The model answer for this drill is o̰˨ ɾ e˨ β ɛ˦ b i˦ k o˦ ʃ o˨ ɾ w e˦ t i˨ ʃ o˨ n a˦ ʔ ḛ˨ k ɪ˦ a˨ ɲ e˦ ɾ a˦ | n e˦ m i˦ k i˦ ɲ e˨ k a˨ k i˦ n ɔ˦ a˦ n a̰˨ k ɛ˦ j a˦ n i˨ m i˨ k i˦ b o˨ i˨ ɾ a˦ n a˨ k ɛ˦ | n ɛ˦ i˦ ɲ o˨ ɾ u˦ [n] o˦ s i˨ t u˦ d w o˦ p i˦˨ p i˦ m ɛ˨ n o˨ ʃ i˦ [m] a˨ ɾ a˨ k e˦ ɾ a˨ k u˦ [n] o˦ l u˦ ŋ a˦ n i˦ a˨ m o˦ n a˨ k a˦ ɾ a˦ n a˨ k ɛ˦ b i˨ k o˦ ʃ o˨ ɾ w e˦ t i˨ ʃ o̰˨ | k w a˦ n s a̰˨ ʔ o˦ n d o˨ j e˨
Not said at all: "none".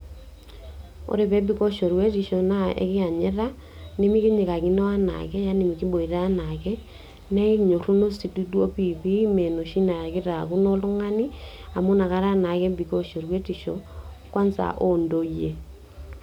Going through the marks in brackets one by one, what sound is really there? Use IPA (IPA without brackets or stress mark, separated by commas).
n, n, n